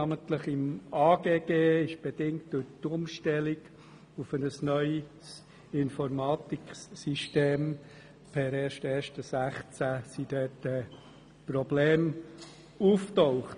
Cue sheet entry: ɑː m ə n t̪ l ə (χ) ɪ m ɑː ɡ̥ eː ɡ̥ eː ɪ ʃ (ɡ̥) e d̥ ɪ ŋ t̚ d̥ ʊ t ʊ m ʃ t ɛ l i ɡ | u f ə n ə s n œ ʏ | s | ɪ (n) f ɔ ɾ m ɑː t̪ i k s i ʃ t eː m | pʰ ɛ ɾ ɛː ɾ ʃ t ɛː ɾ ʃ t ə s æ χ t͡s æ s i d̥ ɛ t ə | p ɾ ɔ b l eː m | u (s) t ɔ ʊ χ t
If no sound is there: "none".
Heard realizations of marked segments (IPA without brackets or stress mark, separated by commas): χ, b̥, n, f